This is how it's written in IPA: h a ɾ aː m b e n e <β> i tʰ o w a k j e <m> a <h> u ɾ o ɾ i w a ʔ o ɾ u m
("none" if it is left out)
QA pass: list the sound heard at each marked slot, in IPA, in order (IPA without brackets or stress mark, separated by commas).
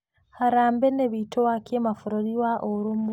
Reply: β, m, f